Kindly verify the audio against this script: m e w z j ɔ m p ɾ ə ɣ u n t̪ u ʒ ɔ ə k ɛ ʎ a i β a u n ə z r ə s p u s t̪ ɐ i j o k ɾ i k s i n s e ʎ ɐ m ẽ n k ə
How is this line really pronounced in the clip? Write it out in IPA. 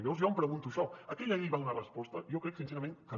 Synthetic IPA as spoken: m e w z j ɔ m p ɾ ə ɣ u n t̪ u ʃ ɔ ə k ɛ ʎ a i β a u n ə r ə s p ɔ s t̪ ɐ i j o k ɾ ɛ k s i n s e ɾ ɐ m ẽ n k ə